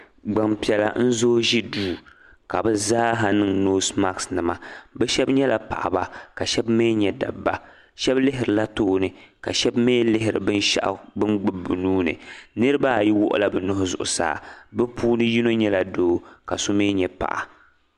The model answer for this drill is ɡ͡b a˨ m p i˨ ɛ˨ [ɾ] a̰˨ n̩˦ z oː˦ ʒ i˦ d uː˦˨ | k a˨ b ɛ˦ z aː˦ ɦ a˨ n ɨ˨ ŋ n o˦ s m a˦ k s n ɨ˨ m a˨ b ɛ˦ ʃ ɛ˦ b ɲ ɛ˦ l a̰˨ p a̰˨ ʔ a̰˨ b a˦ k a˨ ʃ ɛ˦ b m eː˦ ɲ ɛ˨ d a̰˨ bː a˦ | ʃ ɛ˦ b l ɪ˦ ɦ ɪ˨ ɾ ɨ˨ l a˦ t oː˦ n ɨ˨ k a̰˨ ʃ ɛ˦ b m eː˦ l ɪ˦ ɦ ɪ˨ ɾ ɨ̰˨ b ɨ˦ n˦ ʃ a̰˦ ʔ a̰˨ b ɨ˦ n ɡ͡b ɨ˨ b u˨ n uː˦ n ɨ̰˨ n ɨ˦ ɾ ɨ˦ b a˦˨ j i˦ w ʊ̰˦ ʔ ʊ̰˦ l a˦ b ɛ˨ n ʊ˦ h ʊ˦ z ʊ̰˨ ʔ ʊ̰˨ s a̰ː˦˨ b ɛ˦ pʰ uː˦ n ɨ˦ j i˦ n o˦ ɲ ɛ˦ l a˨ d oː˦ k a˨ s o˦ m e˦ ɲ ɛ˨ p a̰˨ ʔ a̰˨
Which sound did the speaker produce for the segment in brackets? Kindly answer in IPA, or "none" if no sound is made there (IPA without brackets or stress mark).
l